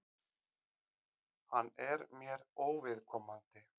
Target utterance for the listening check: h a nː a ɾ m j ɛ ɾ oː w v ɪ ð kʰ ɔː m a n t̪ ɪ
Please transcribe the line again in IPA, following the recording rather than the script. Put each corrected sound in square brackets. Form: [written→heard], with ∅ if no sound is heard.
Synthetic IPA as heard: h a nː [a→ɛ] ɾ m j ɛ ɾ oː w v ɪ ð kʰ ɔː m a n t̪ ɪ

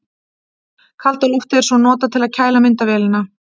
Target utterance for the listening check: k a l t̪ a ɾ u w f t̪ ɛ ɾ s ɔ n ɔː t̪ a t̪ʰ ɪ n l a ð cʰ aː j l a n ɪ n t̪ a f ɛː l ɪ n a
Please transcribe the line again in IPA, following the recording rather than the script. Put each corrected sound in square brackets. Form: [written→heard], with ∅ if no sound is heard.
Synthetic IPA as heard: [k→kʰ] a l t̪ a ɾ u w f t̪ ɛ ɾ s ɔ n ɔː t̪ a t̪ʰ ɪ [n→∅] l a ð cʰ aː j l a [n→m] ɪ n t̪ a [f→v] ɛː l ɪ n a

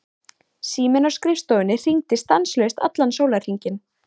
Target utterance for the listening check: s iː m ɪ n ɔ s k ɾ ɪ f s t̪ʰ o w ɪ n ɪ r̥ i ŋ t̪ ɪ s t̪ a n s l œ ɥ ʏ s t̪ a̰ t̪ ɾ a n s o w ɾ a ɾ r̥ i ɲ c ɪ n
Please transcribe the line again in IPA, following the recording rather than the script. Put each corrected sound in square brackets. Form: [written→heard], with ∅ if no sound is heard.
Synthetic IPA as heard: s iː m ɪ n ɔ s k ɾ ɪ f s [t̪ʰ→t̪] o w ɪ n ɪ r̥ i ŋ t̪ ɪ s t̪ a n s l œ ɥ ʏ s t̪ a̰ t̪ [ɾ→l] a n s o w [ɾ→l] a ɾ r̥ i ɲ c ɪ n

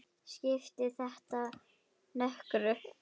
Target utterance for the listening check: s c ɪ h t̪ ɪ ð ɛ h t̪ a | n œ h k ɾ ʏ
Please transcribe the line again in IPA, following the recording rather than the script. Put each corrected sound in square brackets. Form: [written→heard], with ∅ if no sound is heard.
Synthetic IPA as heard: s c ɪ [h→f] t̪ ɪ [ð→θ] ɛ h t̪ a | n œ h k ɾ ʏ

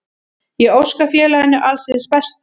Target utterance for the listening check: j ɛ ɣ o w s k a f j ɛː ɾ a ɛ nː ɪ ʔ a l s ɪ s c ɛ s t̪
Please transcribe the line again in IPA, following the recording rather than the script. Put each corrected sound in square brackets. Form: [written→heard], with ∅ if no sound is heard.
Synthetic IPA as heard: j ɛ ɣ o w s k a f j ɛː [ɾ→l] a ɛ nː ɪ ʔ a l s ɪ s [c→p] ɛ s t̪

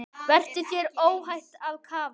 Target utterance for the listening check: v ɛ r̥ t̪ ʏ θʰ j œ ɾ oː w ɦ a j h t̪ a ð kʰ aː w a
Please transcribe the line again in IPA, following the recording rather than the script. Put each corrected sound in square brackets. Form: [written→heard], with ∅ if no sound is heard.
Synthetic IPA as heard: v ɛ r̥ t̪ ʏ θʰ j [œ→ɛ] ɾ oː w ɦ a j h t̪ a ð kʰ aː [w→v] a

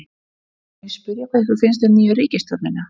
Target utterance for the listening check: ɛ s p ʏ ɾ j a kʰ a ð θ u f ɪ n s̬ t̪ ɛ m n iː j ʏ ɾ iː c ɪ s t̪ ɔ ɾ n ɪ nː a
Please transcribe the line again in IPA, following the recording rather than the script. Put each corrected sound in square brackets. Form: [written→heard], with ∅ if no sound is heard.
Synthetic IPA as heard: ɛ s p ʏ ɾ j a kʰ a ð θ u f ɪ n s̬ t̪ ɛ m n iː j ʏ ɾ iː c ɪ s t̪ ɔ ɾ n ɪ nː a

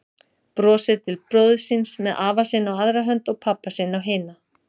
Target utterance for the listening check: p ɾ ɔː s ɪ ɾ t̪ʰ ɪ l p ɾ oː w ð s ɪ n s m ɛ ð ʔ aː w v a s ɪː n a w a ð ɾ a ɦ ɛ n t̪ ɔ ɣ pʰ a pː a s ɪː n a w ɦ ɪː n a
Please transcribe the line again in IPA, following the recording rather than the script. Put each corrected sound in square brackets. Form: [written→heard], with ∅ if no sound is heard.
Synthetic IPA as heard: p ɾ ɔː s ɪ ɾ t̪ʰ ɪ l p ɾ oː w ð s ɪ n s m ɛ ð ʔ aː [w→∅] v a s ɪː n a w a ð ɾ a ɦ [ɛ→œ] n t̪ ɔ ɣ pʰ a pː a s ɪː n a w ɦ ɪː n a

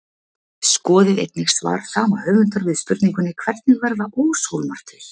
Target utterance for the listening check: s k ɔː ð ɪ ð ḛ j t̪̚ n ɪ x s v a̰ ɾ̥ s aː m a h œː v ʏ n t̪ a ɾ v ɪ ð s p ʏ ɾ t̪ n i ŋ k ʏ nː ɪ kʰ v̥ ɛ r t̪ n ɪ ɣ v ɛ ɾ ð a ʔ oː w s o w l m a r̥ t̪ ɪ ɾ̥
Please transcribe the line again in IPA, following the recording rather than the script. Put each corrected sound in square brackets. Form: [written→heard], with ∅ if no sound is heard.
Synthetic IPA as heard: s k ɔː ð ɪ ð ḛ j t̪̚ n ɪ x s v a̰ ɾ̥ s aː m a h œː v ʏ n t̪ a ɾ v ɪ ð s p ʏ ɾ t̪ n i ŋ k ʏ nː ɪ kʰ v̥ ɛ r t̪ n ɪ ɣ v ɛ ɾ ð a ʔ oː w s o w l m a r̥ t̪ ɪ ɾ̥

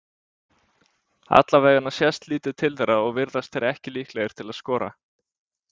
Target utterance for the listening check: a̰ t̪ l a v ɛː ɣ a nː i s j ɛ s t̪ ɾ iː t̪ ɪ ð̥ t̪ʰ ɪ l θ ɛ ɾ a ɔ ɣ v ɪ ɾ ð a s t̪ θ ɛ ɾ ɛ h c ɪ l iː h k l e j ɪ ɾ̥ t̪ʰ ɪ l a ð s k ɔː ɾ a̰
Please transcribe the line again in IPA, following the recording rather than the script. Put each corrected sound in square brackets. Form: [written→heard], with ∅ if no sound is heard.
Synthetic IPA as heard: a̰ t̪ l a v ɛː ɣ a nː [i→a] s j ɛ s t̪ [ɾ→l] iː t̪ ɪ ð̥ t̪ʰ ɪ l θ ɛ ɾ a ɔ ɣ v ɪ ɾ ð a s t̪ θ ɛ ɾ ɛ h c ɪ l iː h k l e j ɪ ɾ̥ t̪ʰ ɪ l a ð s k ɔː ɾ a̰

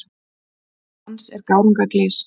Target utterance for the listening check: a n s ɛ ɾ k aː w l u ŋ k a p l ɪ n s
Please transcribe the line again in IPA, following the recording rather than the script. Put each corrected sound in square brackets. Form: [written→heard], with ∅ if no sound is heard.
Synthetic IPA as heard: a n s ɛ ɾ k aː w [l→ɾ] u ŋ k a [p→k] l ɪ [n→∅] s

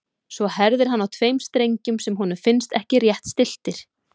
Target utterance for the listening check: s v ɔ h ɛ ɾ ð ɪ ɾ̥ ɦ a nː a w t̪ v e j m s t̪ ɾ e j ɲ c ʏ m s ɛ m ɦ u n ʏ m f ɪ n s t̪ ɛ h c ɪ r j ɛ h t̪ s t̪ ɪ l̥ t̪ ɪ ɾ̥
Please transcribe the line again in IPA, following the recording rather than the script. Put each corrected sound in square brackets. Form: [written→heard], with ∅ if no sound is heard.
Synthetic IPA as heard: s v ɔ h ɛ ɾ ð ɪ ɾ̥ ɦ a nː a w [t̪→t̪ʰ] v e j m s t̪ ɾ e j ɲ c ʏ m s ɛ m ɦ u n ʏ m f ɪ n s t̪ ɛ h c ɪ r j ɛ h t̪ s t̪ ɪ l̥ t̪ ɪ ɾ̥

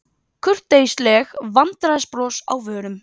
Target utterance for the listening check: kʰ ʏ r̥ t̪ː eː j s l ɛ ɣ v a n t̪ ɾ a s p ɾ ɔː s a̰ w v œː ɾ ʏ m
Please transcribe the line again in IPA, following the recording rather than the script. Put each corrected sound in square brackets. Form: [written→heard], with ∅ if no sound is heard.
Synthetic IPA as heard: kʰ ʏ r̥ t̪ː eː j s l ɛ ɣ v a n t̪ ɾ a s p ɾ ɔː s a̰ w v œː ɾ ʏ m

